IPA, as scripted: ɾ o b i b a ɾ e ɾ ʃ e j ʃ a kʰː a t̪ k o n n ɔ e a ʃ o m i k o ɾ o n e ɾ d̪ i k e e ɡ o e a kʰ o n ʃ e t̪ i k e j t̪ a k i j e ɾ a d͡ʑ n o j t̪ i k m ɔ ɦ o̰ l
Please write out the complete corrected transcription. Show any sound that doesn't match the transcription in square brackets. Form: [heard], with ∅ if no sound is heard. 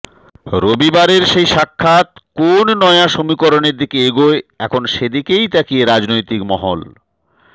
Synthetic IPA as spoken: ɾ o b i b a ɾ e ɾ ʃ e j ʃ a kʰː a t̪ k o n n ɔ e a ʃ o m i k o ɾ o n e ɾ d̪ i k e e ɡ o e [ɛ] kʰ o n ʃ e [d̪] i k e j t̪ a k i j e ɾ a d͡ʑ n o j t̪ i k m ɔ ɦ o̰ l